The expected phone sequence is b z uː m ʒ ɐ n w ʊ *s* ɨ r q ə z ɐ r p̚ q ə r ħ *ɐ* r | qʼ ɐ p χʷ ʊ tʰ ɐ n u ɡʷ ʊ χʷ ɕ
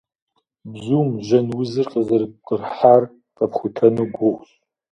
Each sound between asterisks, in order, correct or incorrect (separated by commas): incorrect, incorrect